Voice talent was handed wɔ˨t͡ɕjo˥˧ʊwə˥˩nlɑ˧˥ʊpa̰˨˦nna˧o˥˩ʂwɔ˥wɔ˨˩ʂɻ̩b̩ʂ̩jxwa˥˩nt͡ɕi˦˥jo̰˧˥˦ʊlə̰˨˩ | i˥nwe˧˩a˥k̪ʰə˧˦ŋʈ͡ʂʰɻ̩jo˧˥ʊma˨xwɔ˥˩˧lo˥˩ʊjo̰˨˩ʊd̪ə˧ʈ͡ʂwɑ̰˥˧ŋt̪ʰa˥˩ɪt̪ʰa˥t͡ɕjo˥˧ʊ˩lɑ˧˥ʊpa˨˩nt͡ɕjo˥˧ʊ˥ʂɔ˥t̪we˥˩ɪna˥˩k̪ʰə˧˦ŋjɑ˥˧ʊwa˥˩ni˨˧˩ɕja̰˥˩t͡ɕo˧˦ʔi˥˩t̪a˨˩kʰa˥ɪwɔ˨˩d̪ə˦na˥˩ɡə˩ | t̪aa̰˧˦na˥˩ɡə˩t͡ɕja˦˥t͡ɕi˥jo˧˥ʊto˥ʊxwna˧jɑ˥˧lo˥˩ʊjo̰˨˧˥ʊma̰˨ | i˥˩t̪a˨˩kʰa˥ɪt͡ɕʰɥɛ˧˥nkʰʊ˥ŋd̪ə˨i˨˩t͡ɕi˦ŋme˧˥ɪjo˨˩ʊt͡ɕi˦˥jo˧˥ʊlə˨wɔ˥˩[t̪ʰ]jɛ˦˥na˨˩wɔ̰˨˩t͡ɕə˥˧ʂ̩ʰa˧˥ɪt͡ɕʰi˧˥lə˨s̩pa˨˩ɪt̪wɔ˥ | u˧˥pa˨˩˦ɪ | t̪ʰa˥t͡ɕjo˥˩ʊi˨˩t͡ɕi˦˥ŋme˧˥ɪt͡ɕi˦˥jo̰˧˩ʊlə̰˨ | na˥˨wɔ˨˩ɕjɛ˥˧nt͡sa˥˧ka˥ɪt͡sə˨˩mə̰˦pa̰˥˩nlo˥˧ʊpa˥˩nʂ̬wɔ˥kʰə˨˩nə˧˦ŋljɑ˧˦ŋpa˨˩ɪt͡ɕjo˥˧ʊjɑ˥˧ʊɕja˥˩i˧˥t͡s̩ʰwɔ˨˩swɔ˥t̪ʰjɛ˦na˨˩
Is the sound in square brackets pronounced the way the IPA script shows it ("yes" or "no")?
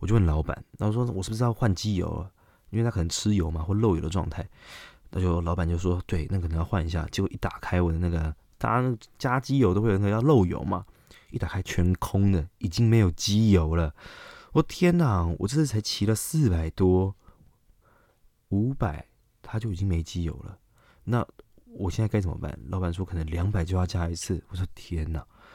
yes